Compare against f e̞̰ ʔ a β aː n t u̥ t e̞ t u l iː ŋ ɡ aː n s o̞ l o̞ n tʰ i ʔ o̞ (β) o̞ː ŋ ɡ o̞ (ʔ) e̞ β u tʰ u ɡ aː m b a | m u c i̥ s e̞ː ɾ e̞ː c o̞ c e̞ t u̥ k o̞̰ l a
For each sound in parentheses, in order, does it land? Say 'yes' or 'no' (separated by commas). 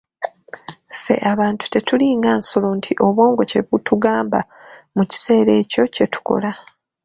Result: yes, no